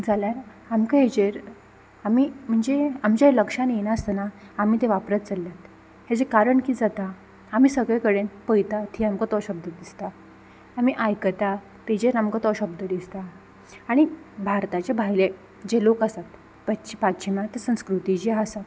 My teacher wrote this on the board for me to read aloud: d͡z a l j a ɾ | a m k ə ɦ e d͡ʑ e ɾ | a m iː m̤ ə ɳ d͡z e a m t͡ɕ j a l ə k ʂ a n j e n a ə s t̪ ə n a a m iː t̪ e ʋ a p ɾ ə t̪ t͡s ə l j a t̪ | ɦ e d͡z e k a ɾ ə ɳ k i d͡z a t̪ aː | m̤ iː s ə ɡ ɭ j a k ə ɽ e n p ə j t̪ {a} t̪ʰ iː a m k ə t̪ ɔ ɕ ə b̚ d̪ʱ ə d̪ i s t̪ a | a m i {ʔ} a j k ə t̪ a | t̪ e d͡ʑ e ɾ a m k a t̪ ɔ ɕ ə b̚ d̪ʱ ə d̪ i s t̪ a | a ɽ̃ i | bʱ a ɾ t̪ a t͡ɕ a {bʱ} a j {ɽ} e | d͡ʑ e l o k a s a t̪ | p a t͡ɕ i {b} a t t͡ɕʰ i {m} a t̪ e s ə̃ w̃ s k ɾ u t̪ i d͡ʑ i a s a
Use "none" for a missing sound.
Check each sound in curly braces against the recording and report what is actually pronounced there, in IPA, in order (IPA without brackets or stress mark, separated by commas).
a, ʔ, bʱ, l, p, m